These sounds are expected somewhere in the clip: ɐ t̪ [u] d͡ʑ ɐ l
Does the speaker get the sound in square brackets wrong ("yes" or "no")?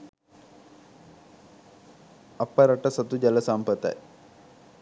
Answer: no